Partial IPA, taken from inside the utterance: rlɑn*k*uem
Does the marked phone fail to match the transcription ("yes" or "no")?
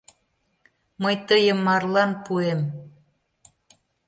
yes